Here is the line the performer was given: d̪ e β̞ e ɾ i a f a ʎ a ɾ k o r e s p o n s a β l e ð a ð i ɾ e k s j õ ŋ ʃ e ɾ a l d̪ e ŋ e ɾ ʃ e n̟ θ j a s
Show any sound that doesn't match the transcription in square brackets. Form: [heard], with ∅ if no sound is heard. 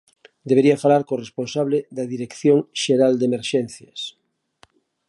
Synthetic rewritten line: d̪ e β̞ e ɾ i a f a [l] a ɾ k o r e s p o n s a β l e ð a ð i ɾ e k [θ] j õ ŋ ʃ e ɾ a l d̪ e [m] e ɾ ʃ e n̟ θ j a s